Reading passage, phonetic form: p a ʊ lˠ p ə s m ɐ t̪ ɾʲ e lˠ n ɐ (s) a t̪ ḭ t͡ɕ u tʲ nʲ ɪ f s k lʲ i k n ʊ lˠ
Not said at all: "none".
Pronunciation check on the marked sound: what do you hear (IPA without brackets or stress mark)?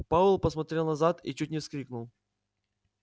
z